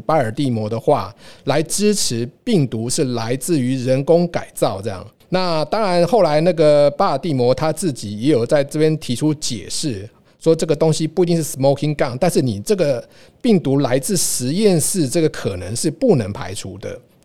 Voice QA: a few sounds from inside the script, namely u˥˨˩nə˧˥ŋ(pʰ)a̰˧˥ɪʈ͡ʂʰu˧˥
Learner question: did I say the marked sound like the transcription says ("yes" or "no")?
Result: yes